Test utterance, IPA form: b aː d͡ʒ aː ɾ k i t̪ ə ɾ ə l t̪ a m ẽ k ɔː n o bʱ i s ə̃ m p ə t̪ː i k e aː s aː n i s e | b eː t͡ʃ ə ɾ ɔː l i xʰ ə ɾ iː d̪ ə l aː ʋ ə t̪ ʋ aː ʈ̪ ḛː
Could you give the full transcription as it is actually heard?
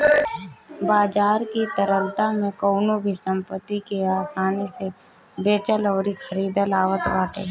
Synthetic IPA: b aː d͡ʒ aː ɾ k i t̪ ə ɾ ə l t̪ a m ẽ k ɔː n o bʱ i s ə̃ m p ə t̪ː i k e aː s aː n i s e | b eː t͡ʃ ə l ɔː ɾ i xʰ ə ɾ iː d̪ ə l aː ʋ ə t̪ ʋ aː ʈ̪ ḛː